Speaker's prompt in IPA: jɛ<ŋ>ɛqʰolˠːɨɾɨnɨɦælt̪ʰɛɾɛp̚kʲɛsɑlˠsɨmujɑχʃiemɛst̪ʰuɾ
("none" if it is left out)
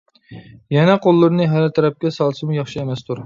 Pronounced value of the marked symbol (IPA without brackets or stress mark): n